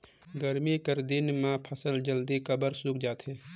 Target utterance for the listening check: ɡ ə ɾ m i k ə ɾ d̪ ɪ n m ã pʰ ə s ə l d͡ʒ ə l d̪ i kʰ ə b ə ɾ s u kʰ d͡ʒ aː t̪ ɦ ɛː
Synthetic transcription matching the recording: ɡ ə ɾ m i k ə ɾ d̪ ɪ n m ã pʰ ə s ə l d͡ʒ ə l d̪ i k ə b ə ɾ s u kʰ d͡ʒ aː t̪ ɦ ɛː